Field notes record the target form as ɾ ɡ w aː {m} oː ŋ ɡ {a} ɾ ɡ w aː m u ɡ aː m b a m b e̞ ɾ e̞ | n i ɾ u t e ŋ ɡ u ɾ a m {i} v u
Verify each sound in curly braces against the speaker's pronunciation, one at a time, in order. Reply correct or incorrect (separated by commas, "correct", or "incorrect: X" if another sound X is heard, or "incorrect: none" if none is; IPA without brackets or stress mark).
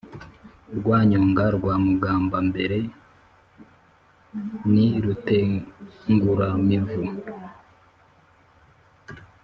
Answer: incorrect: ɲ, correct, correct